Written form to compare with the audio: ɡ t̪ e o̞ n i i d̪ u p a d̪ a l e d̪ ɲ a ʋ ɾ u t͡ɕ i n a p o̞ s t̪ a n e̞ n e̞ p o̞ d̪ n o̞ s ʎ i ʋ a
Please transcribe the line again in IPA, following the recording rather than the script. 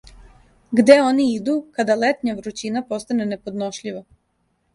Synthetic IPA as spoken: ɡ d̪ e o̞ n i i d̪ u k a d̪ a l e t̪ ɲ a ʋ ɾ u t͡ɕ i n a p o̞ s t̪ a n e̞ n e̞ p o̞ d̪ n o̞ ʃ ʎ i ʋ a

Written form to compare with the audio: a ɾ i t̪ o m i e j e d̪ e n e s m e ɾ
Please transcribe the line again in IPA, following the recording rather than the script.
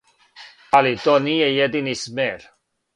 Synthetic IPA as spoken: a l i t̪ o n i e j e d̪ i n i s m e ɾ

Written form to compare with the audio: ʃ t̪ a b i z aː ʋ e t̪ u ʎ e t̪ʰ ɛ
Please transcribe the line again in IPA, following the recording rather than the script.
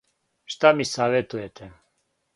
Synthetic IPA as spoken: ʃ t̪ a m i s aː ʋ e t̪ u j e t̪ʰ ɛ

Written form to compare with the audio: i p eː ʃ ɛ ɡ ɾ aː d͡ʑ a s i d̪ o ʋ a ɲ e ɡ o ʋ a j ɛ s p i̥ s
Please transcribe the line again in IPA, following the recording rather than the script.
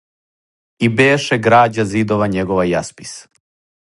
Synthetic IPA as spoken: i b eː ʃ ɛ ɡ ɾ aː d͡ʑ a z i d̪ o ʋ a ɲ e ɡ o ʋ a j a s p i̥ s

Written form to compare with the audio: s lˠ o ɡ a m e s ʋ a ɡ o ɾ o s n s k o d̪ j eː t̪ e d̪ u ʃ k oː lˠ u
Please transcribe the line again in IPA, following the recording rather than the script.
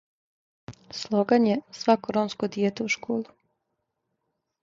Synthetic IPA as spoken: s lˠ o ɡ a ɲ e s ʋ a k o ɾ o n s k o d̪ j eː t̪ e u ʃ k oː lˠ u

